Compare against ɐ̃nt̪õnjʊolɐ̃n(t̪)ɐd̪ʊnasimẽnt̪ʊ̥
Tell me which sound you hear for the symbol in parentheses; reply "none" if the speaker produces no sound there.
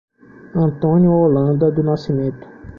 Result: d̪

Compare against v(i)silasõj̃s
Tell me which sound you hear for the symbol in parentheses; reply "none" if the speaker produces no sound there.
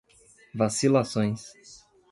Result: a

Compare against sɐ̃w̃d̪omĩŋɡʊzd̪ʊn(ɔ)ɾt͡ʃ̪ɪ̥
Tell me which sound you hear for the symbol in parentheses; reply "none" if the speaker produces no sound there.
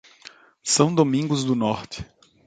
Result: ɔ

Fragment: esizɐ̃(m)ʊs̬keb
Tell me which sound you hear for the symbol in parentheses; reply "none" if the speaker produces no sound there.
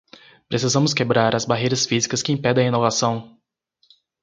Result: m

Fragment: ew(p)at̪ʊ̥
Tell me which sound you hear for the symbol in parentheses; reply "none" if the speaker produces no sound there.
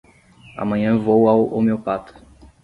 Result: p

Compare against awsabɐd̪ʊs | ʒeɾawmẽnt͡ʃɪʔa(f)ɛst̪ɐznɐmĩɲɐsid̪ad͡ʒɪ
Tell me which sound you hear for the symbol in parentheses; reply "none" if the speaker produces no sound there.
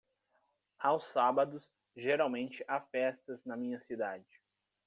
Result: f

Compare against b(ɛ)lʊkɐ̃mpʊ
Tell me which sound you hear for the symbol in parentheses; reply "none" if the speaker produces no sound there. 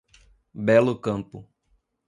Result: ɛ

